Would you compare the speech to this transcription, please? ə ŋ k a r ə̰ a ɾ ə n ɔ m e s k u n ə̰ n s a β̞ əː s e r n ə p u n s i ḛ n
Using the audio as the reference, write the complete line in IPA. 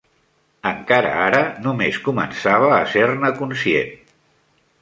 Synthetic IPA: ə ŋ k a ɾ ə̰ a ɾ ə n u m e s k u m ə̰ n s a β̞ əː s e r n ə k u n s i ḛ n